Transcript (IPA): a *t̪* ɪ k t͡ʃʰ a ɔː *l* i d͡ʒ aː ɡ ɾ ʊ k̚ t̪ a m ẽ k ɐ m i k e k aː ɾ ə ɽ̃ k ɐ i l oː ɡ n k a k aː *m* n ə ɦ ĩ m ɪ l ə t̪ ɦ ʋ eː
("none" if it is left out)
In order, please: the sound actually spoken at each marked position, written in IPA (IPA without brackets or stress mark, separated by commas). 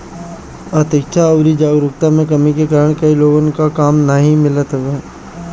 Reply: t̪, ɾ, m